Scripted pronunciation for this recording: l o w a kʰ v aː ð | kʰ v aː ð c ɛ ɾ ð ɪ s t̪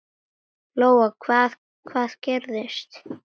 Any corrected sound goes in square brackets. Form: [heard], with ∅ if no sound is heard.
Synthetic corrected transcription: l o w a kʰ v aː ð | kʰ v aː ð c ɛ ɾ ð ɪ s t̪

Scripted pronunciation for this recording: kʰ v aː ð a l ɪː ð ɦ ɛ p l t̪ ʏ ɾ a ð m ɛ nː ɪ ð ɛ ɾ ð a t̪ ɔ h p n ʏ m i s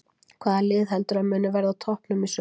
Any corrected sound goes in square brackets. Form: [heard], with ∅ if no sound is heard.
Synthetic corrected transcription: kʰ v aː ð a l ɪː ð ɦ ɛ [∅] l t̪ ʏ ɾ a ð m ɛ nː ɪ [v] ɛ ɾ ð a [t̪ʰ] ɔ h p n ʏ m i s

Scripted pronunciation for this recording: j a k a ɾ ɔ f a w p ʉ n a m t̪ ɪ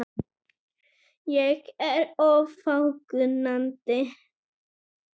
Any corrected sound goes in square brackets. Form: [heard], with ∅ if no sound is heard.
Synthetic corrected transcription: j [ɛ] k [ɛ] ɾ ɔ f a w [k] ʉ n a [n] t̪ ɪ

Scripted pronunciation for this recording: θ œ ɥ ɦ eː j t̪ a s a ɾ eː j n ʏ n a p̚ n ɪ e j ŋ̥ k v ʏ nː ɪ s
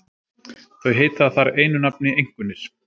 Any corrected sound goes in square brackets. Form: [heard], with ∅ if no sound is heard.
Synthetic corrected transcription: θ œ ɥ ɦ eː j t̪ a [θ] a ɾ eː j n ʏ n a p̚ n ɪ e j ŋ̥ k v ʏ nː ɪ s

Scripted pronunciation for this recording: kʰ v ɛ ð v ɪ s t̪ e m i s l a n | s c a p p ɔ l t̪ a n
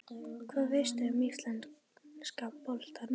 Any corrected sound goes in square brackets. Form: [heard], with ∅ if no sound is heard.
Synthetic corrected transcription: kʰ v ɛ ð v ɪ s t̪ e m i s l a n | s [k] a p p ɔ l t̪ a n

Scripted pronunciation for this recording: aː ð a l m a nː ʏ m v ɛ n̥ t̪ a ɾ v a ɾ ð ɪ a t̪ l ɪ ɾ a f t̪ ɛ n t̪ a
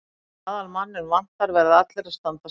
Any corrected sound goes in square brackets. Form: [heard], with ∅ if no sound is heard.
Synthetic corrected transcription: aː ð a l m a nː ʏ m v [a] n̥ t̪ a ɾ v [ɛ] ɾ ð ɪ a t̪ l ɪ ɾ a [s] t̪ [a] n t̪ a

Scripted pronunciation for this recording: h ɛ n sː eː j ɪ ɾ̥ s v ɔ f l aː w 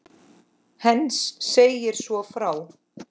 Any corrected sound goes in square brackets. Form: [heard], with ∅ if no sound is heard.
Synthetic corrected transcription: h ɛ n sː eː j ɪ ɾ̥ s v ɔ f [ɾ] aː w

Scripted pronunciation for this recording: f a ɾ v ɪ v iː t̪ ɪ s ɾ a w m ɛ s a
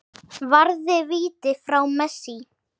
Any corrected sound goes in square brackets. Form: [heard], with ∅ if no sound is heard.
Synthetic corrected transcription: [v] a ɾ [ð] ɪ v iː t̪ ɪ [f] ɾ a w m ɛ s [i]

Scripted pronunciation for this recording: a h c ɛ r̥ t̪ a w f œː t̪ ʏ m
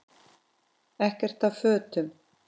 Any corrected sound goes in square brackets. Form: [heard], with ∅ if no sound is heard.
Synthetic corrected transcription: [ɛ] h c ɛ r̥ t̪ a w f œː t̪ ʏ m

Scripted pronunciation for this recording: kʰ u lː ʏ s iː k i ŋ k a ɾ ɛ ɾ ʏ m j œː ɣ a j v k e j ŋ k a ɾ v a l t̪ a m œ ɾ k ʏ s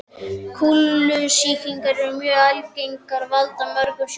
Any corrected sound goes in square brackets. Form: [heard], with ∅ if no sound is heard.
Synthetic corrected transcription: kʰ u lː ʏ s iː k i ŋ k a ɾ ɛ ɾ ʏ m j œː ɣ a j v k e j ŋ k a ɾ v a l t̪ a m œ ɾ k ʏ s

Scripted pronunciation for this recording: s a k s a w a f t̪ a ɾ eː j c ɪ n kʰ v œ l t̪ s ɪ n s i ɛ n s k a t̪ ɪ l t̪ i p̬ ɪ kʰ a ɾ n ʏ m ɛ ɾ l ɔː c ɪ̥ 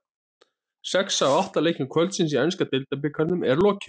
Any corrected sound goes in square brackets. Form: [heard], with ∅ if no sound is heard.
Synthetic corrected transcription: s [ɛ] k s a w a [h] t̪ a [l] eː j c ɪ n kʰ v œ l t̪ s ɪ n s i ɛ n s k a t̪ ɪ l t̪ [a] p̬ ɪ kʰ a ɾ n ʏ m ɛ ɾ l ɔː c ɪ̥

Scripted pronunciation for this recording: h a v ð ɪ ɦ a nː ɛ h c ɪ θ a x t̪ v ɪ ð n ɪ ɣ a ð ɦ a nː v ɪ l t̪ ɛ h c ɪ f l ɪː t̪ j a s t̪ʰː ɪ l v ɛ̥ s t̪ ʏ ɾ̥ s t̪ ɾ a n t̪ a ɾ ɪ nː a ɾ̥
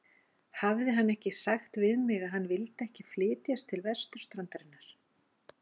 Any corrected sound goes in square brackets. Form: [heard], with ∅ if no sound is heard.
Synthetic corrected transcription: h a v ð ɪ ɦ a nː ɛ h c ɪ [s] a x t̪ v ɪ ð [m] ɪ ɣ a ð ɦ a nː v ɪ l t̪ ɛ h c ɪ f l ɪː t̪ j a s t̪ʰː ɪ l v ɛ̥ s t̪ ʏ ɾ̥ s t̪ ɾ a n t̪ a ɾ ɪ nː a ɾ̥

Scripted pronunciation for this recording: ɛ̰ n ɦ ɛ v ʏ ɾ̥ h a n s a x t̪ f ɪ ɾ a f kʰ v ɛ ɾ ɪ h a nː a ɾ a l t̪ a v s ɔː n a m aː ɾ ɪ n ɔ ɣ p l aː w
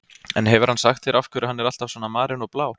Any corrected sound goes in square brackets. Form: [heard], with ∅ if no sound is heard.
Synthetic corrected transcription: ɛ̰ n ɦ ɛ v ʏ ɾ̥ h a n s a x t̪ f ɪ ɾ a f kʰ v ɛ ɾ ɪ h a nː [ɛ] ɾ a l t̪ a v s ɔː n a m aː ɾ ɪ n ɔ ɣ p l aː w

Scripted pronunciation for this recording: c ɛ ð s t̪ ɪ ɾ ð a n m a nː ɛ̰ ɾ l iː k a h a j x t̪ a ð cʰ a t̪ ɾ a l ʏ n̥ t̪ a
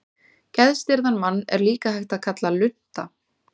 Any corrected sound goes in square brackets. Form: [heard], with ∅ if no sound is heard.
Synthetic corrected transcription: c ɛ ð s t̪ ɪ ɾ ð a n m a nː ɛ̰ ɾ l iː k a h a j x t̪ a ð [kʰ] a t̪ [l] a l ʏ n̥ t̪ a

